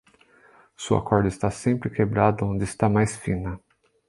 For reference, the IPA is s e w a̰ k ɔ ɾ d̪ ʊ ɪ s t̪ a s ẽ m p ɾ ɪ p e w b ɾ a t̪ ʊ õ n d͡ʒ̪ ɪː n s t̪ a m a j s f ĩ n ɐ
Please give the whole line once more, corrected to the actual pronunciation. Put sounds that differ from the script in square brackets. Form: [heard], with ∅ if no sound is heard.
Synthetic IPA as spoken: s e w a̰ k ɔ ɾ d̪ ʊ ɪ s t̪ a s ẽ m p ɾ ɪ [k] e [∅] b ɾ a [d̪] ʊ õ n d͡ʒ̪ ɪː [∅] s t̪ a m a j s f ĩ n ɐ